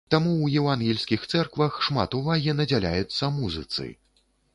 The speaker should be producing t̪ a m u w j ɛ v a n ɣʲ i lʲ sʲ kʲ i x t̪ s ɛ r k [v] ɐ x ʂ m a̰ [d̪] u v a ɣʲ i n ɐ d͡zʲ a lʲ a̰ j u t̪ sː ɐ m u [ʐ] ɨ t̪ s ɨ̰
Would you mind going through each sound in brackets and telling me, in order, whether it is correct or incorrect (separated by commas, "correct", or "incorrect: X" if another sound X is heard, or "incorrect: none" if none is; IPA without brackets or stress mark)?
correct, incorrect: t̪, incorrect: z